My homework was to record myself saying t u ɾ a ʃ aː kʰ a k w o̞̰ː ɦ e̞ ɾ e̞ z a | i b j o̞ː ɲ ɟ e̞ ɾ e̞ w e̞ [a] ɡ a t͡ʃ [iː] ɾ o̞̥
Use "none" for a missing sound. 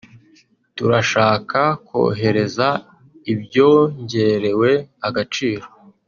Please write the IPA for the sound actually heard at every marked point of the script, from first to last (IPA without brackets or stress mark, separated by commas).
a, iː